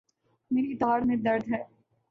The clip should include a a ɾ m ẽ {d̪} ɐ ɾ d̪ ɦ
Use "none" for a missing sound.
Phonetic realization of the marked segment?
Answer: d̪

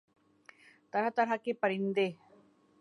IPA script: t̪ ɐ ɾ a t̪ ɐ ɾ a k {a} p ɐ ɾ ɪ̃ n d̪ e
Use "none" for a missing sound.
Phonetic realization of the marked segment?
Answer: e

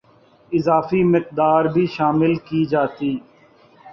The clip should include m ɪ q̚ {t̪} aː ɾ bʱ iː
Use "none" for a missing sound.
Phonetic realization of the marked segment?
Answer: d̪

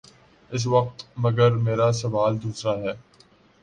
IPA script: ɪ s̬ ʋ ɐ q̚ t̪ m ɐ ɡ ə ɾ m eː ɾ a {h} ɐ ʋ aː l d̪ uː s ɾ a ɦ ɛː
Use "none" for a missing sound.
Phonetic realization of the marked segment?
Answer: s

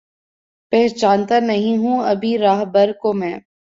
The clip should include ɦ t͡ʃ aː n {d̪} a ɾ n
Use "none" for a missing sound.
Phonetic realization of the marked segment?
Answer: t̪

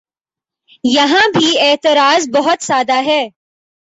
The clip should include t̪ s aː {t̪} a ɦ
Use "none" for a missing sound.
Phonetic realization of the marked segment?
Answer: d̪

